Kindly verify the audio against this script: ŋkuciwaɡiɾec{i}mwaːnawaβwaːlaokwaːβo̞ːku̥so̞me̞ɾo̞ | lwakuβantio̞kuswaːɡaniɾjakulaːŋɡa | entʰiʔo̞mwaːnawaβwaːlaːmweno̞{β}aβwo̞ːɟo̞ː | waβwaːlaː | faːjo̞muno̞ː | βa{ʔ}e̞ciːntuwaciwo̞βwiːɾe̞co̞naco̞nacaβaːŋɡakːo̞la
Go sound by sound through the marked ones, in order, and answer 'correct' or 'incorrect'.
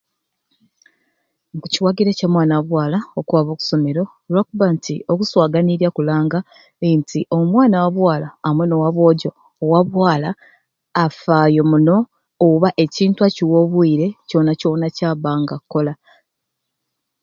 incorrect: a, incorrect: w, correct

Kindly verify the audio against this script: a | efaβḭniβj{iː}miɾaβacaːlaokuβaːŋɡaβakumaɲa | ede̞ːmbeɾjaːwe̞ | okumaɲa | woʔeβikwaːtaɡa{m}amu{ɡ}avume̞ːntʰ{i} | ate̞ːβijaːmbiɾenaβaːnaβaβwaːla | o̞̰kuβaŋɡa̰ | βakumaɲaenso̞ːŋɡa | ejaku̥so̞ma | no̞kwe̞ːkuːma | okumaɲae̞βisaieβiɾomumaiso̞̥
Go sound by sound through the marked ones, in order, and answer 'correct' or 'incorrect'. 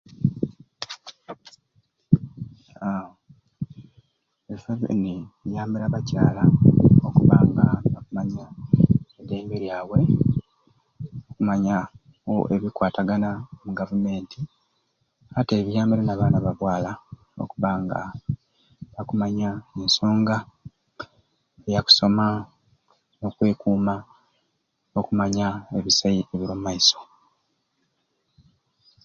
incorrect: aː, incorrect: n, correct, correct

